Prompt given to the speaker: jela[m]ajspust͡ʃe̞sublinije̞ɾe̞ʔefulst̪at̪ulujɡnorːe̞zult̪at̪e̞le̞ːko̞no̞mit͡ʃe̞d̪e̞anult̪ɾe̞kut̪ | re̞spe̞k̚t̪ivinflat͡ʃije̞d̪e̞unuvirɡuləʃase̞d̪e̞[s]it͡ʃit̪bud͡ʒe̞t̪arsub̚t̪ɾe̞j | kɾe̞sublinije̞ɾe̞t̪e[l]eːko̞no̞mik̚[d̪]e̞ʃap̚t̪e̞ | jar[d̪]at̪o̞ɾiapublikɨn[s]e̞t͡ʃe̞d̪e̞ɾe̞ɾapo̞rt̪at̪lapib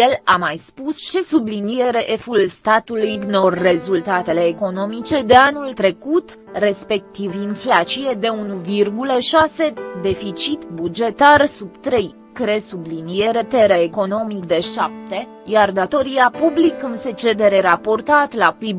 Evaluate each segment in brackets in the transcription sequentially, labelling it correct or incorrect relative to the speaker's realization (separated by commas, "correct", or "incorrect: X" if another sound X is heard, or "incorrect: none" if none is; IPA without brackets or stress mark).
correct, incorrect: f, incorrect: ɾ, correct, correct, correct